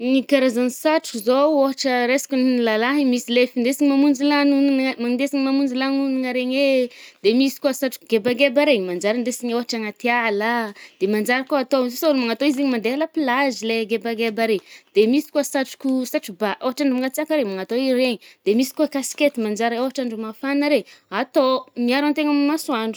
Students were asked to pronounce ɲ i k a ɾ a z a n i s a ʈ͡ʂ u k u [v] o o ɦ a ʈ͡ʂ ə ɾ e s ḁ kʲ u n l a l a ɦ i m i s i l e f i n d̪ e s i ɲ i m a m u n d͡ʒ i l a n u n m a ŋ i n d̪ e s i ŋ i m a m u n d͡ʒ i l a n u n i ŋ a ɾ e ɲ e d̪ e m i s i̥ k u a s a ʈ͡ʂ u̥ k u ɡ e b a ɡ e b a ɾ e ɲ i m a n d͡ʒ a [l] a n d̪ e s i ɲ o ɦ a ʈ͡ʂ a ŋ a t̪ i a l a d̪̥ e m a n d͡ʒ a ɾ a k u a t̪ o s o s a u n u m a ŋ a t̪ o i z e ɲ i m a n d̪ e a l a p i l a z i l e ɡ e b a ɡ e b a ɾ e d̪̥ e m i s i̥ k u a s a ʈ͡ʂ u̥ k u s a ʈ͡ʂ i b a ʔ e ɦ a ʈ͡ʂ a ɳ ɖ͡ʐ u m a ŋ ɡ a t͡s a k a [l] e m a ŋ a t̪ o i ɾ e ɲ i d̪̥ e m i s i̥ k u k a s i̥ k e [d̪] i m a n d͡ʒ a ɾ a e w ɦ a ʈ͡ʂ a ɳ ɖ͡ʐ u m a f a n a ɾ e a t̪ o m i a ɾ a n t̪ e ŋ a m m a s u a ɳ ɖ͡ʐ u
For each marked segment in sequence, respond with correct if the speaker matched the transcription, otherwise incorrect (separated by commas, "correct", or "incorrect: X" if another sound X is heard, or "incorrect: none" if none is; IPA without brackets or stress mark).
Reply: incorrect: z, incorrect: ɾ, incorrect: ɾ, incorrect: t̪